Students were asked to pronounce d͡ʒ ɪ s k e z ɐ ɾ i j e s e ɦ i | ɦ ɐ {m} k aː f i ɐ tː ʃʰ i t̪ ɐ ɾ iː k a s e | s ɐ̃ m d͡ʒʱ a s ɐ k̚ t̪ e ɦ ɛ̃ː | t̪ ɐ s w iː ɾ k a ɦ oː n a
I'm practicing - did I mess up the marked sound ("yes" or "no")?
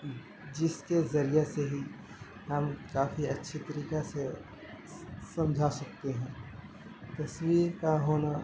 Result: no